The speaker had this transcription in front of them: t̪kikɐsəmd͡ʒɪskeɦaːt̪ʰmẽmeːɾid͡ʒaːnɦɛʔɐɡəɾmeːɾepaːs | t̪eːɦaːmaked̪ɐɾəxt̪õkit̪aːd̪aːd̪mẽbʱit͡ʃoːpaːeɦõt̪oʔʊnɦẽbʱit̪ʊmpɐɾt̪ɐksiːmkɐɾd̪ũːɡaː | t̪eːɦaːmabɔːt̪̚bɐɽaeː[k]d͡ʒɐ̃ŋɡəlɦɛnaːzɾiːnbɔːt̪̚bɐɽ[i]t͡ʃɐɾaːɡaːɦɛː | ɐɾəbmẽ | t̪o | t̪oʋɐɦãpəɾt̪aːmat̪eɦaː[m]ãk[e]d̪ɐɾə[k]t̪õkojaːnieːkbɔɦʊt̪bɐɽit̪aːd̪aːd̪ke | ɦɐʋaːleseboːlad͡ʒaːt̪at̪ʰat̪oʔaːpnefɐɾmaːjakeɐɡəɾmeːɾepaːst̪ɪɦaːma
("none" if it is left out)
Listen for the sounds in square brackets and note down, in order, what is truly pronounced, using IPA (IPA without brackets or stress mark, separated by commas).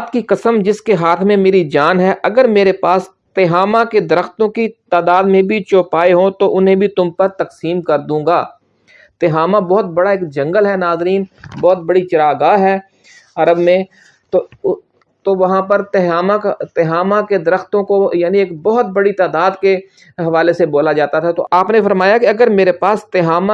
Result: k, i, m, e, x